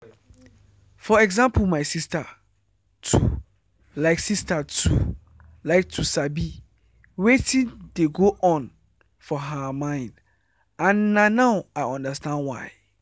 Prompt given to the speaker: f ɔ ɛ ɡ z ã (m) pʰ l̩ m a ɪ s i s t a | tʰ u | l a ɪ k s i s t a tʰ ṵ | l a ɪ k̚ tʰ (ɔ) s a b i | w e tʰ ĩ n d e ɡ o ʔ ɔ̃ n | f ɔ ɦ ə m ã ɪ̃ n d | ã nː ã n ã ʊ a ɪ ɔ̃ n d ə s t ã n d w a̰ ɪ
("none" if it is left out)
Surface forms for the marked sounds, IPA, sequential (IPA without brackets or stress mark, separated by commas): m, u